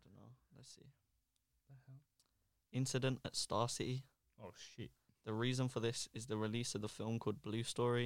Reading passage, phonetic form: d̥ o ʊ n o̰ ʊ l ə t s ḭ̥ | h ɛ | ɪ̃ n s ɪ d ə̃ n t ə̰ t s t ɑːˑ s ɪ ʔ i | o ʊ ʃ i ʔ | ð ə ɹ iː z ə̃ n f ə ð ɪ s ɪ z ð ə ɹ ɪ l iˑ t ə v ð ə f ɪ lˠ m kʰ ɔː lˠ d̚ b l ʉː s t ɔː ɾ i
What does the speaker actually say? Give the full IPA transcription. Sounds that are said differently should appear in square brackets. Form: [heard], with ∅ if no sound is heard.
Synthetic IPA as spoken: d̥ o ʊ n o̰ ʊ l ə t s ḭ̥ | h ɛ | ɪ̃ n s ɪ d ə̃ n t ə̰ t s t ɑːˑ s ɪ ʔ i | o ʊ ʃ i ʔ | ð ə ɹ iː z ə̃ n f ə ð ɪ s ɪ z ð ə ɹ ɪ l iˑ [s] ə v ð ə f ɪ lˠ m kʰ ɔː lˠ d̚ b l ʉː s t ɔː [ɹ] i